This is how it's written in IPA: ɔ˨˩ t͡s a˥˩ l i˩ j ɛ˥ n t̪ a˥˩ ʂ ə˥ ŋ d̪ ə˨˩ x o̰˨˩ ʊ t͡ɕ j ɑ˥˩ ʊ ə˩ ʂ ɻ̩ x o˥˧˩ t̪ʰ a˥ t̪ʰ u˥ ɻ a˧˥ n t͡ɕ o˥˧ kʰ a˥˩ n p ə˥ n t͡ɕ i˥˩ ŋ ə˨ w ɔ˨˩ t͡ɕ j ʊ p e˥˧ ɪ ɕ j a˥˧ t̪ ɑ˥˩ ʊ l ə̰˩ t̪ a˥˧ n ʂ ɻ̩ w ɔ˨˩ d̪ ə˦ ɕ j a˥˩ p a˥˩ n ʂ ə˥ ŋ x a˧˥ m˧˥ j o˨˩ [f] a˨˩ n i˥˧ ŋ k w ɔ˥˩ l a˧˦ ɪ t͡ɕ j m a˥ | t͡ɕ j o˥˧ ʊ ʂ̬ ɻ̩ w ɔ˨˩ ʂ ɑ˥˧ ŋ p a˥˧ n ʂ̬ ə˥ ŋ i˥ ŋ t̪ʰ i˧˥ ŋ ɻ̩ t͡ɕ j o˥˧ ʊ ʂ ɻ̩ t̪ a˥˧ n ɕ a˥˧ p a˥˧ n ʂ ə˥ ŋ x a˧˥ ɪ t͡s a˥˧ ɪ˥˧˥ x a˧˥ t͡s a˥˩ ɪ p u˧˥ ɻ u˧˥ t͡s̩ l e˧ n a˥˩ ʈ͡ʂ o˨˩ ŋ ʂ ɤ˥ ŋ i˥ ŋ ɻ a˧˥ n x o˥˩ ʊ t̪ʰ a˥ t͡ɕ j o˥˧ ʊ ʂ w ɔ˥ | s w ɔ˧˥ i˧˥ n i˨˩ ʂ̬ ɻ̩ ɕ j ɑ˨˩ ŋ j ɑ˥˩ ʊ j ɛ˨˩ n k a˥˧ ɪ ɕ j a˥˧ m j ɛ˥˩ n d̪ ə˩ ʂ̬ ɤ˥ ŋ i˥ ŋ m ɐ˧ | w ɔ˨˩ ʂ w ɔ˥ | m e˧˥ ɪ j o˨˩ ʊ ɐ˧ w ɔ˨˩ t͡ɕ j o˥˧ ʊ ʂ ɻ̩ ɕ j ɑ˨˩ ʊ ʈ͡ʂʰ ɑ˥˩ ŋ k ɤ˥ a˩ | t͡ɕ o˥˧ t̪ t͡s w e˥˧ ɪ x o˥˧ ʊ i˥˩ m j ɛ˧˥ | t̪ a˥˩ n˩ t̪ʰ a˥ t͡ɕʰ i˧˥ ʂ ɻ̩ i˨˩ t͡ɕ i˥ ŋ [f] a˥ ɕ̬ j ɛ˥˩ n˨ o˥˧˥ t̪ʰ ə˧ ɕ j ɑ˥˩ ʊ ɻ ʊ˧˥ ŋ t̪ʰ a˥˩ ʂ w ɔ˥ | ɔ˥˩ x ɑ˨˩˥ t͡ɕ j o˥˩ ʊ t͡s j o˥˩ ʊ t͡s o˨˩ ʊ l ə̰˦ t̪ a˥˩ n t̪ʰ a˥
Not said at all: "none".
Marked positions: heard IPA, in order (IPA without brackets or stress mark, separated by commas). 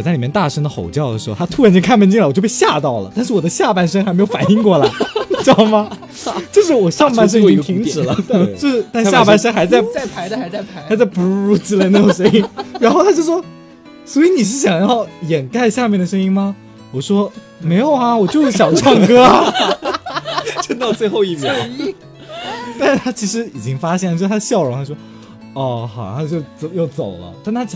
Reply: f, f